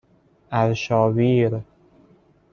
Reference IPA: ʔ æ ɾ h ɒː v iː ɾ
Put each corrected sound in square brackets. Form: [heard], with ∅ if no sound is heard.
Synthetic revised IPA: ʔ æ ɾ [ʃ] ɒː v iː ɾ